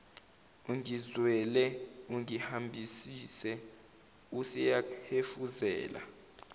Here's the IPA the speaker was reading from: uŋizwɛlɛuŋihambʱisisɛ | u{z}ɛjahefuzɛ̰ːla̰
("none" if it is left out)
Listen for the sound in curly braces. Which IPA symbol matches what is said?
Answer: s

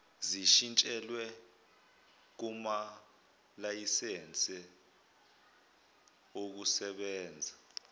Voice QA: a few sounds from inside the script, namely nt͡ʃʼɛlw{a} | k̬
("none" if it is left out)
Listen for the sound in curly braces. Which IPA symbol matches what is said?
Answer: ɛ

